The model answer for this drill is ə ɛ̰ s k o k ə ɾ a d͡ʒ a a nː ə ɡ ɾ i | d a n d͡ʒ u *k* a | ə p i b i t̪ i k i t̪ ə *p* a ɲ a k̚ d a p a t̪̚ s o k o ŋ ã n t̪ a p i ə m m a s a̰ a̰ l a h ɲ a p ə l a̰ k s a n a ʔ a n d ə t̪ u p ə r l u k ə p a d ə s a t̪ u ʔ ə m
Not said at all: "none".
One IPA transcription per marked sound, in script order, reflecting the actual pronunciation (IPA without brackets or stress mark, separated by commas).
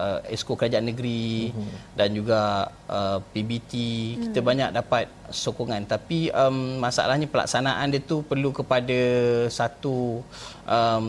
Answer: ɡ, b